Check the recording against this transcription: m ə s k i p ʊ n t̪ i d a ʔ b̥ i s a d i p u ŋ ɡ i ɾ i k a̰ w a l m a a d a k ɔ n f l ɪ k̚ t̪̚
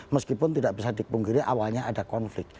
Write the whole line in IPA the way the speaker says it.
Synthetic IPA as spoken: m ə s k i p ʊ n t̪ i d a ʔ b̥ i s a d i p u ŋ ɡ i ɾ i ʔ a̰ w a l ɲ a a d a k ɔ n f l ɪ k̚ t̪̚